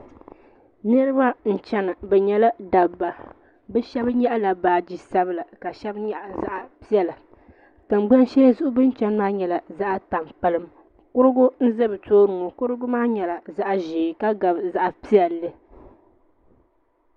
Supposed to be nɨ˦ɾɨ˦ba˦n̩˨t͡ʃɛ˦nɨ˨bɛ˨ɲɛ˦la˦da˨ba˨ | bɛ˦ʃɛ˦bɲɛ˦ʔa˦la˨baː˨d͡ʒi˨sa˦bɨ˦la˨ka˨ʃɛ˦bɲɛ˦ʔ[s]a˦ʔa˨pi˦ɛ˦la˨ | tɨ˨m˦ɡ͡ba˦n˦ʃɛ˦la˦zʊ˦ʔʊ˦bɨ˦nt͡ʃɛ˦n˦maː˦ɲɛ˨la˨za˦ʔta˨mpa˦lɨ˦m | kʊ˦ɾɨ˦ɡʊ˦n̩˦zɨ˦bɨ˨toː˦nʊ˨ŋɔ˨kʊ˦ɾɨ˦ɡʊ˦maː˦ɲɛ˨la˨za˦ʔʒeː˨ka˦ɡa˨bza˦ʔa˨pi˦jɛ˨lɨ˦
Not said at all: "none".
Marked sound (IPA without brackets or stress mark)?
z